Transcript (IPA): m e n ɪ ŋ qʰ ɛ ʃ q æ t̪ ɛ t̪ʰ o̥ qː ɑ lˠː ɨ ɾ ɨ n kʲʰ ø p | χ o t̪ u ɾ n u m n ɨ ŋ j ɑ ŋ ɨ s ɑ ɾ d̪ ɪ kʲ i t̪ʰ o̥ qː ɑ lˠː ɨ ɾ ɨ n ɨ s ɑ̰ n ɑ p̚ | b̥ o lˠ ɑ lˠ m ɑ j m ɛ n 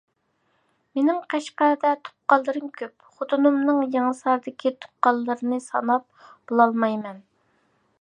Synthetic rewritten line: m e n ɪ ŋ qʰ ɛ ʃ q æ d̪ ɛ t̪ʰ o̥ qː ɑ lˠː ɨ ɾ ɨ m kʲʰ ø p | χ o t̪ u n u m n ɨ ŋ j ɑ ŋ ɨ s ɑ ɾ d̪ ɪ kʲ i t̪ʰ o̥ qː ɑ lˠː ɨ ɾ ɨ n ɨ s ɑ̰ n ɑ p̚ | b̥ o lˠ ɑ lˠ m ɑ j m ɛ n